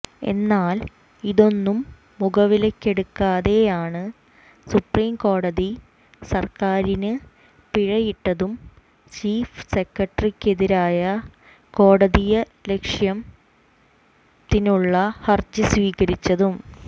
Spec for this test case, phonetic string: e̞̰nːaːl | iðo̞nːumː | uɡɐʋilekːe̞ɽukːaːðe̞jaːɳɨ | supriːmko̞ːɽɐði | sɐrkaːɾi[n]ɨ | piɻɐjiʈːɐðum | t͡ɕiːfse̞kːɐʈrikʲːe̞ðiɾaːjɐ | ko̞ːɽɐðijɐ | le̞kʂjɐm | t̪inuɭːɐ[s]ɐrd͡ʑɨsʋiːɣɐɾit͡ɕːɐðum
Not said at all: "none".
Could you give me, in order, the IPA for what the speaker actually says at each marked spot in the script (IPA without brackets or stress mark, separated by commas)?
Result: n, h